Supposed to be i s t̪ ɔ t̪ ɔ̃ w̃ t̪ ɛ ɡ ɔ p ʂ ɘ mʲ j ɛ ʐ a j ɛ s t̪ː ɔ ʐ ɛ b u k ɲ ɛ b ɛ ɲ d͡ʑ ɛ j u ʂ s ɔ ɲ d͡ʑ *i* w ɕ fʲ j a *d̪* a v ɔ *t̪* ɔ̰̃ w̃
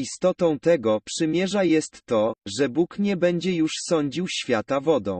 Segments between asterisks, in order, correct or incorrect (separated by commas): correct, incorrect, incorrect